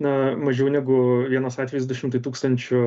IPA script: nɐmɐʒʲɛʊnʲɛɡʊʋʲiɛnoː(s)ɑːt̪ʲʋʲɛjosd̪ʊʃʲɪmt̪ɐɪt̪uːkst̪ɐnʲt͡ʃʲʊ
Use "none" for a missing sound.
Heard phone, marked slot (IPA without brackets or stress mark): s